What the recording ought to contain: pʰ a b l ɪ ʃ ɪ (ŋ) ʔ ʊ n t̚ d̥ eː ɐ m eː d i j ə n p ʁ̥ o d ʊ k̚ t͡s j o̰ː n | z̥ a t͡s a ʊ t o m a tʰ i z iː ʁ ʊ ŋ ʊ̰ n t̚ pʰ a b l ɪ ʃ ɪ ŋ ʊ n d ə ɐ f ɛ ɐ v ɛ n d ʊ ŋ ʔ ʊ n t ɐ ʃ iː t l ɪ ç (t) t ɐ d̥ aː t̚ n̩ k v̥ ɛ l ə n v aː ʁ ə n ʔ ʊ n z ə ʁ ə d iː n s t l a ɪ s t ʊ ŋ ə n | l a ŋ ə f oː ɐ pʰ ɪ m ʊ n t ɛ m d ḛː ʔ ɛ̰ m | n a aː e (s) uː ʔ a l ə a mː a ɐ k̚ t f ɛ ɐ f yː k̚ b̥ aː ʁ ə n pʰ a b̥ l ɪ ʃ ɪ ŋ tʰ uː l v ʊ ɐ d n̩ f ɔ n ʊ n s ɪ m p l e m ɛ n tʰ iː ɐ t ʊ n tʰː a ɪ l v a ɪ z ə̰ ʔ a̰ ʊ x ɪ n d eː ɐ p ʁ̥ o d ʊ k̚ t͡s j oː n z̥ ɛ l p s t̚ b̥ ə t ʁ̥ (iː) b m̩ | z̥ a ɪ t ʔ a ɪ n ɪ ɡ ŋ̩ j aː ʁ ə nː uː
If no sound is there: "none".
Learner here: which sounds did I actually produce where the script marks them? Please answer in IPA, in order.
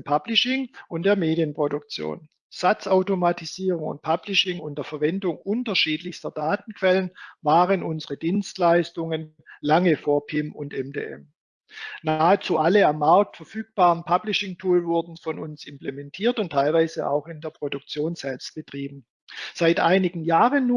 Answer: ŋ, s, t͡s, iː

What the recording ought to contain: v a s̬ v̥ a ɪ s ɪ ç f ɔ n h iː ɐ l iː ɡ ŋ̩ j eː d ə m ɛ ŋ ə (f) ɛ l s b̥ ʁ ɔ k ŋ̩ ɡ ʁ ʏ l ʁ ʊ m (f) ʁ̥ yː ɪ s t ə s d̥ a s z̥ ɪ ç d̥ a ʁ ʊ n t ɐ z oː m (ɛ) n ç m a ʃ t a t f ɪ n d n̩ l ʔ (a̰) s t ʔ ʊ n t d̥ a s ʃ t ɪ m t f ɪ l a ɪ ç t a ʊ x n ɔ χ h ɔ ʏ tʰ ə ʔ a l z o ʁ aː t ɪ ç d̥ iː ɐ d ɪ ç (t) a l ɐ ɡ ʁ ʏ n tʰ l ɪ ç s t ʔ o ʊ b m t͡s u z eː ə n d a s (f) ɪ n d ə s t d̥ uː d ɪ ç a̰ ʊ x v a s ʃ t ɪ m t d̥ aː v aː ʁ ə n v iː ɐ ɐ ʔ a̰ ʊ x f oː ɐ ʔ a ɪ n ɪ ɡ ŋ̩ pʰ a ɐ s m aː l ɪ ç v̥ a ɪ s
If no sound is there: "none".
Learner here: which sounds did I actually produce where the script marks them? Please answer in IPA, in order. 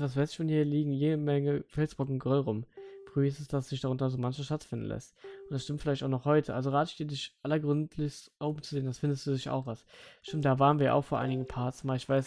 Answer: f, f, a, ɛ̰, ʔ, f

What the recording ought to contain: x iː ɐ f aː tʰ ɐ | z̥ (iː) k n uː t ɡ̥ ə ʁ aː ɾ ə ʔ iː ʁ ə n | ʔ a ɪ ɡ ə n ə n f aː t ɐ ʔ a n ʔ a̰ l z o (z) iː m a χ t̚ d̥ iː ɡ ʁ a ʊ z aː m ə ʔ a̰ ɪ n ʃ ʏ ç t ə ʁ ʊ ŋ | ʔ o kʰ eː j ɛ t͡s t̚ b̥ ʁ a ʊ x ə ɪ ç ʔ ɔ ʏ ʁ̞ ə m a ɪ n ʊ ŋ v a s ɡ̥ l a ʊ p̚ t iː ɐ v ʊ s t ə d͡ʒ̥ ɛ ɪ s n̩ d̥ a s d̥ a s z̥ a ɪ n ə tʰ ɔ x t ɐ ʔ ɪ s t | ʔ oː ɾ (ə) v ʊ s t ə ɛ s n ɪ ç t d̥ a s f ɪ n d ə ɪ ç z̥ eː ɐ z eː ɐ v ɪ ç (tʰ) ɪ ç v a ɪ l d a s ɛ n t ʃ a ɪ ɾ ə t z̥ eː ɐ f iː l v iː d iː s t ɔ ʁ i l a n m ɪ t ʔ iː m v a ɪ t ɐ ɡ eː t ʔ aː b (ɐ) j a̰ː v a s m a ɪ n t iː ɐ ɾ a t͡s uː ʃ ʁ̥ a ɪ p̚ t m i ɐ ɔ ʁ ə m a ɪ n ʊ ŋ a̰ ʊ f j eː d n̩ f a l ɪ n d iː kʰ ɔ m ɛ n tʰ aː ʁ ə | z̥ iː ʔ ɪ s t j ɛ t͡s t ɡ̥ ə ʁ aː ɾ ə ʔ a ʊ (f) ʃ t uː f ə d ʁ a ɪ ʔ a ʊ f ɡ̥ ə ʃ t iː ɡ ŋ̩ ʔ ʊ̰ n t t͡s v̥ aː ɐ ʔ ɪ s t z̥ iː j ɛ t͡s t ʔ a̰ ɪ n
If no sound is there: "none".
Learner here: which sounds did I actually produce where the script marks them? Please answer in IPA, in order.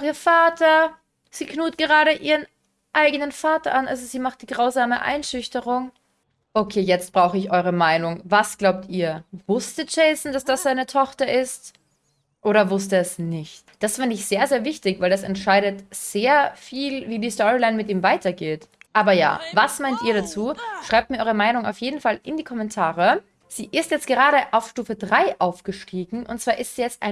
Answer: iː, z, ɐ, t, ɐ, f

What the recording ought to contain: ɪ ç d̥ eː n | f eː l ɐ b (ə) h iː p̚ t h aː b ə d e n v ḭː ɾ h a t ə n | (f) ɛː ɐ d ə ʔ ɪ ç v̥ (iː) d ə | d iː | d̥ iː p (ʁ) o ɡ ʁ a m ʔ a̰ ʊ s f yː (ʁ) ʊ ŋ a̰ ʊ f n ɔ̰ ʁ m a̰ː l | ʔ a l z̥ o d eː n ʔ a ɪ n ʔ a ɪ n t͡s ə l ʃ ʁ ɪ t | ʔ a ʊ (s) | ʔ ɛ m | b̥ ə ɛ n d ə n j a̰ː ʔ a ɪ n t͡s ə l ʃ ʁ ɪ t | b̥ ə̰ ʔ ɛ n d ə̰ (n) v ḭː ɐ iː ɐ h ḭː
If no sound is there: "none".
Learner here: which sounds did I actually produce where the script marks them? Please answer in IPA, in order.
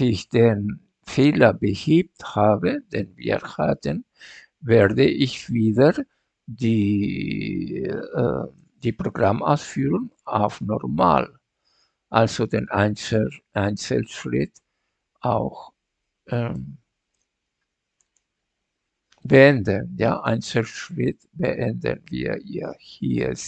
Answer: ə, v, iː, ʁ, ʁ, x, n

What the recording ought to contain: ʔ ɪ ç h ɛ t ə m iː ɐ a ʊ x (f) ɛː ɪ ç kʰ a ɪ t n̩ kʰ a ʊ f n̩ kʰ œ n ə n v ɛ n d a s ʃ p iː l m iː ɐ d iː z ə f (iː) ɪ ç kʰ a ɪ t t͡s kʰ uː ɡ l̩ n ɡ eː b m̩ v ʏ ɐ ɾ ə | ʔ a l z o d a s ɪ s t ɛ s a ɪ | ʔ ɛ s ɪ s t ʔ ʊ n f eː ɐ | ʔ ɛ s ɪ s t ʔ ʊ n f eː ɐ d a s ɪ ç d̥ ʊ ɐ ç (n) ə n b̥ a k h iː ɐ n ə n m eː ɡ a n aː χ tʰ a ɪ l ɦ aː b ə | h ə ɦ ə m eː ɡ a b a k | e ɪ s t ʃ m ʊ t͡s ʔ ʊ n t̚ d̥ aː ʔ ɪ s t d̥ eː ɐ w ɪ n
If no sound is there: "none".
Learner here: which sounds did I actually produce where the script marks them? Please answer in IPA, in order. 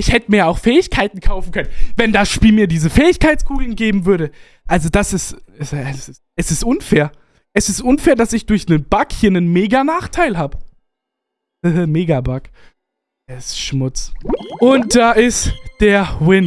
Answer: f, ɛː, n

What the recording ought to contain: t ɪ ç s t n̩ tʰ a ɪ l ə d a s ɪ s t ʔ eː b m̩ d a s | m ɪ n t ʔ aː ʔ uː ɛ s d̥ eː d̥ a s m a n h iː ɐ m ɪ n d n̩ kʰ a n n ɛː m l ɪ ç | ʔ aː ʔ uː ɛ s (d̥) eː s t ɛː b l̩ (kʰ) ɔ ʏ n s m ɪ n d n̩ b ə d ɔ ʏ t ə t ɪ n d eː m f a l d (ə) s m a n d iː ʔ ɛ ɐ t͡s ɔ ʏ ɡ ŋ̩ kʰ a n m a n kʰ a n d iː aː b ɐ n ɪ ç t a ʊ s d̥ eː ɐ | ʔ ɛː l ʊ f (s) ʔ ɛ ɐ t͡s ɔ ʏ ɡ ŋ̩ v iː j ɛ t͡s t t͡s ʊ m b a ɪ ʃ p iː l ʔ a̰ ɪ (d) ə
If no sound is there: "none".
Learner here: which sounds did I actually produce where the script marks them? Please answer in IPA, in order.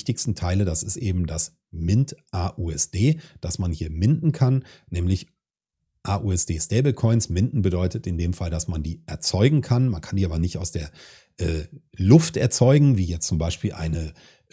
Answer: d̥, kʰ, a, t, n

